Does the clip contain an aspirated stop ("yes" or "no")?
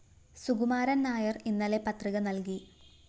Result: no